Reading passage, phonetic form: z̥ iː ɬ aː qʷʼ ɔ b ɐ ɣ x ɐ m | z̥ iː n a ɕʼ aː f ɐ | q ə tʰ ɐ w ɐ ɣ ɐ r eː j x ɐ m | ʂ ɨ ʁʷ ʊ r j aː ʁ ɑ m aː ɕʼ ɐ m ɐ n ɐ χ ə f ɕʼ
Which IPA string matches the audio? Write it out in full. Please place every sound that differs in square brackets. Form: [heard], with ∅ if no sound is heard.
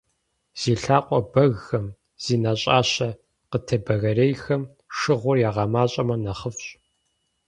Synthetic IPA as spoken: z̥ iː ɬ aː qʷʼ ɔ b ɐ ɣ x ɐ m | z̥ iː n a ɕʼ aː [ɕ] ɐ | q ə tʰ ɐ [b] ɐ ɣ ɐ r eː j x ɐ m | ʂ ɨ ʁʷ ʊ r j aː ʁ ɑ m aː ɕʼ ɐ m ɐ n ɐ χ ə f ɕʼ